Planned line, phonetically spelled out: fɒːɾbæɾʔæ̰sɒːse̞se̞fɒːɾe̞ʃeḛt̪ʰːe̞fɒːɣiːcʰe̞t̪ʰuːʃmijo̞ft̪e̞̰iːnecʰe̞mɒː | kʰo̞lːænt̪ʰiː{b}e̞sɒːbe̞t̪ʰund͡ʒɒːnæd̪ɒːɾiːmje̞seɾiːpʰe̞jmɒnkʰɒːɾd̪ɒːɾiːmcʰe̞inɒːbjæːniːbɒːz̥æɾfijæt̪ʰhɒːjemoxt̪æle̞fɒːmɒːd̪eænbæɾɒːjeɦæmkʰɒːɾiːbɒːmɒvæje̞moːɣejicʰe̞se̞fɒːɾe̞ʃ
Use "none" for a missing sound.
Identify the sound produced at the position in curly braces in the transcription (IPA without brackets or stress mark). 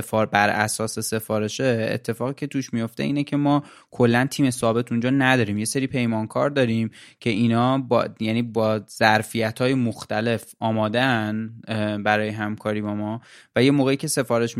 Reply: m